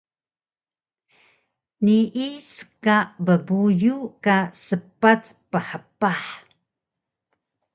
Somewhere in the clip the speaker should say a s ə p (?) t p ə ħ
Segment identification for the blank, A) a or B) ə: A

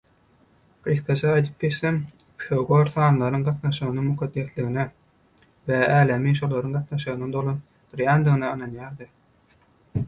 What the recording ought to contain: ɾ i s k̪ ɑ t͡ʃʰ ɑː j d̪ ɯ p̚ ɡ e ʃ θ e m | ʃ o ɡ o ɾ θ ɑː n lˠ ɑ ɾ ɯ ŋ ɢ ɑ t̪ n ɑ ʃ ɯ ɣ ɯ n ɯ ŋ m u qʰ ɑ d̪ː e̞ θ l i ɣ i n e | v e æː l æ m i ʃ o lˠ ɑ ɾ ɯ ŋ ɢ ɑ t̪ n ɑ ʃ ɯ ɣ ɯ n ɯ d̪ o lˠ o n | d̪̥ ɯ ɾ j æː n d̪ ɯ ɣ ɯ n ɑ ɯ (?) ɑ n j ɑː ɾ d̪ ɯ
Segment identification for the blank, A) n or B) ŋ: A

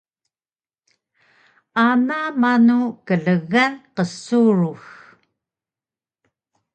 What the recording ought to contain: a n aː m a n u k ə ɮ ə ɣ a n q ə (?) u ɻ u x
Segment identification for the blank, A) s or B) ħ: A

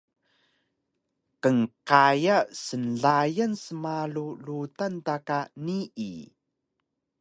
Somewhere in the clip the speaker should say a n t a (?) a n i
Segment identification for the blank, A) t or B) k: B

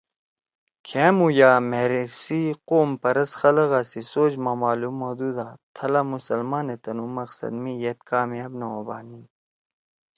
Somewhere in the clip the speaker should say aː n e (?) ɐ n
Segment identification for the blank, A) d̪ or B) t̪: B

